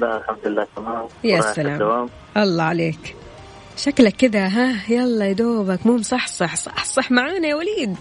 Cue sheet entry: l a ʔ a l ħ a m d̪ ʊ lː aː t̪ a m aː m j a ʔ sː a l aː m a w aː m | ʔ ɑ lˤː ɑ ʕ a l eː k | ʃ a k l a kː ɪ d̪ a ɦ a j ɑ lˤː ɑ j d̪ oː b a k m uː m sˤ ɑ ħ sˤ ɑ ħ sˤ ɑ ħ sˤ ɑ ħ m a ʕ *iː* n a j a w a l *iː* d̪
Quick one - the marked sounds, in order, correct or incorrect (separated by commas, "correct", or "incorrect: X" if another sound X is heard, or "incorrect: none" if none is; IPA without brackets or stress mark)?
incorrect: aː, correct